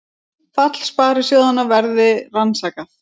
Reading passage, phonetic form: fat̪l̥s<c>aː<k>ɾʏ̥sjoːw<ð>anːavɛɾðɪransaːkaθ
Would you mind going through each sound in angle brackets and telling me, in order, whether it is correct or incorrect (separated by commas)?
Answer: incorrect, incorrect, correct